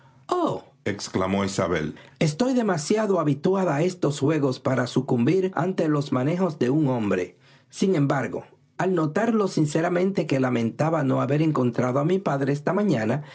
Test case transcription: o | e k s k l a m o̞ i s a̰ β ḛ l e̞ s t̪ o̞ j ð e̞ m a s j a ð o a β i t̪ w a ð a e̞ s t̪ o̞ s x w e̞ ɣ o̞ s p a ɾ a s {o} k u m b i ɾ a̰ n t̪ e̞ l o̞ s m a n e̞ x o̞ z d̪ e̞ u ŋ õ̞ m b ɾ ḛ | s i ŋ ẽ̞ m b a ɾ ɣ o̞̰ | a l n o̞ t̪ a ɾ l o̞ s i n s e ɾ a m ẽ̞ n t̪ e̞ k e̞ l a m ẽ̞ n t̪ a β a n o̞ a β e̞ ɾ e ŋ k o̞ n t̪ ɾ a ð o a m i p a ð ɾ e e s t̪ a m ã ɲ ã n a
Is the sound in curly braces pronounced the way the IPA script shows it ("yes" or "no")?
no